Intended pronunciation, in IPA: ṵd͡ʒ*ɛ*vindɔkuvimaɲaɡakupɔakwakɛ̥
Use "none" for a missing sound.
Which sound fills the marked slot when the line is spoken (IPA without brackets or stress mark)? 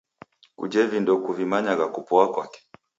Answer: ɛ